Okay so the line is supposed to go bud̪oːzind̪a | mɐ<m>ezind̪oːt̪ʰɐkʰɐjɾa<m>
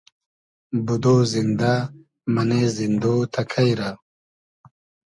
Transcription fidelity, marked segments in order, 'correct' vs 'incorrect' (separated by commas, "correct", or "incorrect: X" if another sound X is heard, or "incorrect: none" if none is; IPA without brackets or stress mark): incorrect: n, incorrect: none